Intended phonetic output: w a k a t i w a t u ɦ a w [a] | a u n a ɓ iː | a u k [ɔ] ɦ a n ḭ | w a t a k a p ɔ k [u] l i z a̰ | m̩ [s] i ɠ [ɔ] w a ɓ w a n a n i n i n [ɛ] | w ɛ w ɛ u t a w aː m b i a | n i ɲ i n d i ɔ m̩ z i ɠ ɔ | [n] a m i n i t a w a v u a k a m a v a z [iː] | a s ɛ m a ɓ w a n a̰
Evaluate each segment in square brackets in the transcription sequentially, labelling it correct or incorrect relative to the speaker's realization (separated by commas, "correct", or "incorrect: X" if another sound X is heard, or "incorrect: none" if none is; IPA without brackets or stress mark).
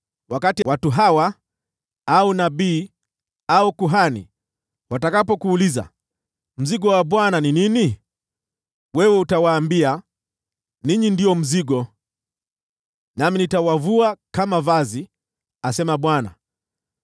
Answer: correct, incorrect: u, incorrect: uː, incorrect: z, correct, incorrect: i, correct, incorrect: i